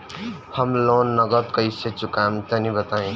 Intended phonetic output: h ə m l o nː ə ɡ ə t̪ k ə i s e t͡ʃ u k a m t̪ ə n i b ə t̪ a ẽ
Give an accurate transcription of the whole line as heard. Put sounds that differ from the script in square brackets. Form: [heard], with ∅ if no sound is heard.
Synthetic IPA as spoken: h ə m l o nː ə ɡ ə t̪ k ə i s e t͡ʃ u k a m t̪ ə n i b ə t̪ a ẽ